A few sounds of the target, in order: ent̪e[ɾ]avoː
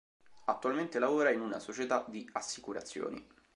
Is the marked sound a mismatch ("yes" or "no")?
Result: yes